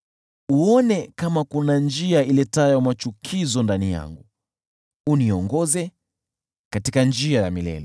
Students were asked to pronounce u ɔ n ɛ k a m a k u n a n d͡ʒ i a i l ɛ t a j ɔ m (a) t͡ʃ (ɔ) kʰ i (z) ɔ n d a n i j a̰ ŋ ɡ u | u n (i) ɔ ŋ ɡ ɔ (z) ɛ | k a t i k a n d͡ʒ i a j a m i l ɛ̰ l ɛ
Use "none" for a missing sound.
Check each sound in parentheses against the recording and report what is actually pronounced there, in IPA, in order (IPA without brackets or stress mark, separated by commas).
a, u, z, i, z